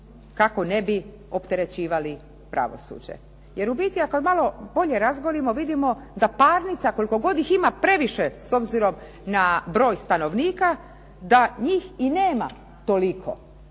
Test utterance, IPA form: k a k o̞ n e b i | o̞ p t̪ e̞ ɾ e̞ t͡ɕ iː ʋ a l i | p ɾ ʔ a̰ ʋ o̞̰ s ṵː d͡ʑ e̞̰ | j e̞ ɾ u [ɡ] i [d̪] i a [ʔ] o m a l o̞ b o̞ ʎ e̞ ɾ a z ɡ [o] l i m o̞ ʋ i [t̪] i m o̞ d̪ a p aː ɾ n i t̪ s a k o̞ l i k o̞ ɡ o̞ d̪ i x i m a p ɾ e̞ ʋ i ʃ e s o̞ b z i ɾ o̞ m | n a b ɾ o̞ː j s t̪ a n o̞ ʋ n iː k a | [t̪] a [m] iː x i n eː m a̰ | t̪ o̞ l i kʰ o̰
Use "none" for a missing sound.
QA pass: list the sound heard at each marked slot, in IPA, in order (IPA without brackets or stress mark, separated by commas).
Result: b, t̪, k, o, d̪, d̪, ɲ